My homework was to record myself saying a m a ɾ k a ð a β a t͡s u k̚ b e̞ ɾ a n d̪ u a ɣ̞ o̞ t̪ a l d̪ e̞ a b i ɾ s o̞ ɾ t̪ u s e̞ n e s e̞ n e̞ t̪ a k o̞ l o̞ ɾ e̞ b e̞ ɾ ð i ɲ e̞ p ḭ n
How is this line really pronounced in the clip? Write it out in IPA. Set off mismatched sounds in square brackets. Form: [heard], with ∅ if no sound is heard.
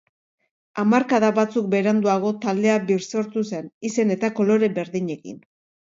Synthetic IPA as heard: a m a ɾ k a ð a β a t͡s u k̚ b e̞ ɾ a n d̪ u a ɣ̞ o̞ t̪ a l d̪ e̞ a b i ɾ s o̞ ɾ t̪ u s e̞ n [i] s e̞ n e̞ t̪ a k o̞ l o̞ ɾ e̞ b e̞ ɾ ð i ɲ e̞ [k] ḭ n